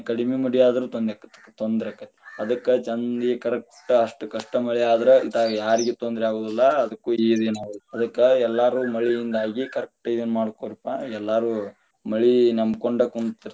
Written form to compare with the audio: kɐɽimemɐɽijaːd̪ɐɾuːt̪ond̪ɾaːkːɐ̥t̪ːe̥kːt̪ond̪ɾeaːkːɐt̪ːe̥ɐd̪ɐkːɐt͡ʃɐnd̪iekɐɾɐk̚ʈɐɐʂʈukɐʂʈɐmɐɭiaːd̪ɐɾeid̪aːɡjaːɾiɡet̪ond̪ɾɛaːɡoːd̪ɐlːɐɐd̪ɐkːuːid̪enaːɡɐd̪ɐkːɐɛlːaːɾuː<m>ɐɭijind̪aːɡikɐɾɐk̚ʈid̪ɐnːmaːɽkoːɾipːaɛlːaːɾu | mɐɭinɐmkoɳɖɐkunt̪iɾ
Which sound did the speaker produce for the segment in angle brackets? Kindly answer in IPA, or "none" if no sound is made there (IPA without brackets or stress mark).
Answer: m